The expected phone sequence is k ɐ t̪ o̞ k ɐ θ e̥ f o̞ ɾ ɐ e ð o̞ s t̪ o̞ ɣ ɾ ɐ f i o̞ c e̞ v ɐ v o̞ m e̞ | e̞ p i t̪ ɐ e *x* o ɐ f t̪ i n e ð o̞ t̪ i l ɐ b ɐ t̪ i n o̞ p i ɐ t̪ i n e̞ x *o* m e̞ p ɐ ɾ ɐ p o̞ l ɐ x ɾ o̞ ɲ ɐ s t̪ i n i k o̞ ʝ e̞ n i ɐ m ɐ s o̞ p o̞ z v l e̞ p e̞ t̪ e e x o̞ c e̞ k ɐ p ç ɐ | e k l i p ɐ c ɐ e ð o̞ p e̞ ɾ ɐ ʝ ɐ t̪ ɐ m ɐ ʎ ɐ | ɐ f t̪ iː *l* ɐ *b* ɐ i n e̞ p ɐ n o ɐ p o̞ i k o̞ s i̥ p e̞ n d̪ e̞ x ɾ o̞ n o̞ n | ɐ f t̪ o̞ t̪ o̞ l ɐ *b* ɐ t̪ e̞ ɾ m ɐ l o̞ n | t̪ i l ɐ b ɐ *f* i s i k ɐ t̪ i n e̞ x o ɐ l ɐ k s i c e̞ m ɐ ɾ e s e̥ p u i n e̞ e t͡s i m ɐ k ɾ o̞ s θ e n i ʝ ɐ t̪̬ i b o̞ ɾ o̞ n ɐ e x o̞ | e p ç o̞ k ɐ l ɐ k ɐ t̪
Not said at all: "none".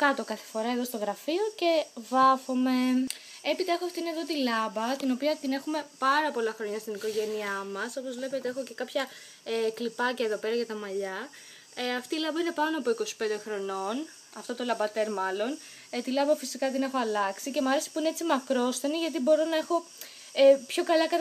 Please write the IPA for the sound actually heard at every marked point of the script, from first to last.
x, u, l, b, b, f

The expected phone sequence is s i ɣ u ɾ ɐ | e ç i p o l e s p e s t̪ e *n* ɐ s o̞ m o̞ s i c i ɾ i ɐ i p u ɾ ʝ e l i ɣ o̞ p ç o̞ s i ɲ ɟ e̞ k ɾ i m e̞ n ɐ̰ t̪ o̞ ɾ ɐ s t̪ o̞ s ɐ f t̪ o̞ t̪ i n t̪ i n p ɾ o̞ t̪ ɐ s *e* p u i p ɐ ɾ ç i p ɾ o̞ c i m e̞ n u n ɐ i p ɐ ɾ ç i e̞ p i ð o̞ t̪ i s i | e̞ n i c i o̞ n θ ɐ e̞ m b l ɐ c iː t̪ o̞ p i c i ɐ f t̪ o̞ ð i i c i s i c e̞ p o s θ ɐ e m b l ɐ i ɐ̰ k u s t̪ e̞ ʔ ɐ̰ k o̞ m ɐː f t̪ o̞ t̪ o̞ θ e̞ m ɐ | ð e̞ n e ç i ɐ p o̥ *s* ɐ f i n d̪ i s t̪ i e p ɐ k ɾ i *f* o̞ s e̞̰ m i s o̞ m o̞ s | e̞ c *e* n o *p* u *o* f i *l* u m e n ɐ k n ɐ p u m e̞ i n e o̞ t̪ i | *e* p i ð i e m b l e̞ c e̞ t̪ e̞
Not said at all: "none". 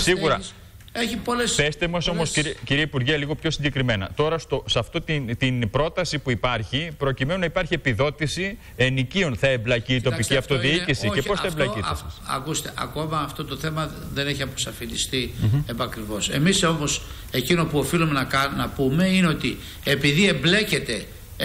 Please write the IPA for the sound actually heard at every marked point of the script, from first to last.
m, i, s, v, i, p, o, l, e

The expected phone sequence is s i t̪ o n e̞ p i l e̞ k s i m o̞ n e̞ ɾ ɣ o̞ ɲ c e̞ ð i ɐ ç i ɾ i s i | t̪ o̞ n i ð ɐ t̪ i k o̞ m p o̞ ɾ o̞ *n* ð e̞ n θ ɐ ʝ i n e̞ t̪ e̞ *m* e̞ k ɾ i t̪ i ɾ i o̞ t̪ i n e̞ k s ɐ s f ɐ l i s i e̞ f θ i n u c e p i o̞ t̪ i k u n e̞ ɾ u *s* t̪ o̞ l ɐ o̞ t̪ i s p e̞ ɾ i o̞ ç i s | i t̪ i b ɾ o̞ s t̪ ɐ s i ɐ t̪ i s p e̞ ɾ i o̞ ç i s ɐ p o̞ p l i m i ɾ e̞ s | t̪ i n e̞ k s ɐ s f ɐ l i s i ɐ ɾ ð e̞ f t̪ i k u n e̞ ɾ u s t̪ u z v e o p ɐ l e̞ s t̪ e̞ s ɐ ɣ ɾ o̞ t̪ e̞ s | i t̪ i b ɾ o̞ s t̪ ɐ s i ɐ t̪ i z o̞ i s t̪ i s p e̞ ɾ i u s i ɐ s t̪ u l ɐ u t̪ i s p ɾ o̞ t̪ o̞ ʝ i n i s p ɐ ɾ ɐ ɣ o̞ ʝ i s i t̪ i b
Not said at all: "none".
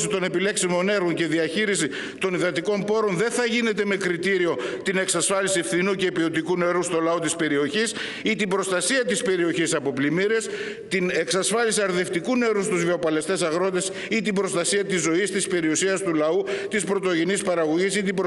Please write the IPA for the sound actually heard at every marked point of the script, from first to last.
n, m, s

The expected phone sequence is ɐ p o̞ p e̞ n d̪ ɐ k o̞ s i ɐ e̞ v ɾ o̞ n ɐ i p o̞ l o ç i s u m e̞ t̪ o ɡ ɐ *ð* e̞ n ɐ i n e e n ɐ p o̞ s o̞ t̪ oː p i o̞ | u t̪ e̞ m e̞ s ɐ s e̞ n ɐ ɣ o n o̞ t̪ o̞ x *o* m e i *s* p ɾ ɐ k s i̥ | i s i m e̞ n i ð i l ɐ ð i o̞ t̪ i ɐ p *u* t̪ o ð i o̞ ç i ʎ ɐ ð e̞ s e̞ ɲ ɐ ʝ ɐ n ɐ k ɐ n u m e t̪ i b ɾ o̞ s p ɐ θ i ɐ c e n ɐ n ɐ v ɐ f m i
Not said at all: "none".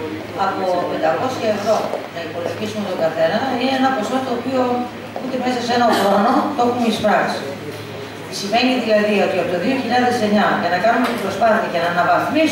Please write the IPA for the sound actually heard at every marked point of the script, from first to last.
θ, u, s, o

